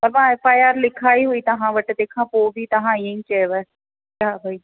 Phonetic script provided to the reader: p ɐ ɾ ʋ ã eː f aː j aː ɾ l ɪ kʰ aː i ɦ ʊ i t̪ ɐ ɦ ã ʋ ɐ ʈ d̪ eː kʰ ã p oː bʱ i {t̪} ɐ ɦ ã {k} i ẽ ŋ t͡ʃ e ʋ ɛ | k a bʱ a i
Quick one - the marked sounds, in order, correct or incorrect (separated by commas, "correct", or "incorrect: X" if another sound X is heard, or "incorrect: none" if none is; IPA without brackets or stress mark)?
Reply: correct, incorrect: none